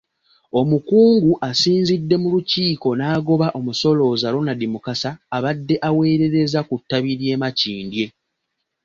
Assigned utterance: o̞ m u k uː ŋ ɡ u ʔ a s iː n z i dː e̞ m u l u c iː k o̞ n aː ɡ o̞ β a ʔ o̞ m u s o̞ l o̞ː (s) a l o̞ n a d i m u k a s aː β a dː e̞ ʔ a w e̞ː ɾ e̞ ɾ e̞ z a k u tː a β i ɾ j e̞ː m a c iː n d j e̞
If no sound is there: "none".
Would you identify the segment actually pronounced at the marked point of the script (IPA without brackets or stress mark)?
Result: z